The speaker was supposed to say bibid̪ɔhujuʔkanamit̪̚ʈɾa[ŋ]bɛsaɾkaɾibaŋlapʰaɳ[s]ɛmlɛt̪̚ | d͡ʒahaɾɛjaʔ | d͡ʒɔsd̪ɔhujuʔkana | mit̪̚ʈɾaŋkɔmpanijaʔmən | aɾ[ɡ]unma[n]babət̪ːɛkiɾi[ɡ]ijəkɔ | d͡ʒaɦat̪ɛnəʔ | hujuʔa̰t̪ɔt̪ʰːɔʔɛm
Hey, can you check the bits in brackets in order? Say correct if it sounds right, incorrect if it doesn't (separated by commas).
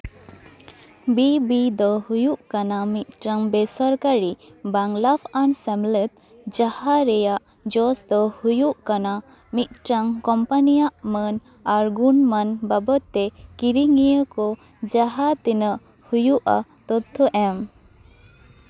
correct, correct, correct, correct, incorrect